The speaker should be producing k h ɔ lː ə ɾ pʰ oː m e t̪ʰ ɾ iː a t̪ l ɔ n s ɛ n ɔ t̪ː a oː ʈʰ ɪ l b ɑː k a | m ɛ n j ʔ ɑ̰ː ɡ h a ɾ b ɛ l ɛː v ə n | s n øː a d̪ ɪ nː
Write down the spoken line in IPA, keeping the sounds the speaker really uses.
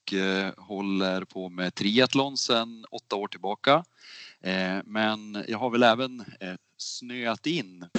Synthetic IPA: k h ɔ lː ə ɾ pʰ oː m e t̪ʰ ɾ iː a t̪ l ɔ n s ɛ n ɔ t̪ː a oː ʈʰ ɪ l b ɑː k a | m ɛ n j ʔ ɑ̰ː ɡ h a ɾ v ɛ l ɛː v ə n | s n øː a t̪ ɪ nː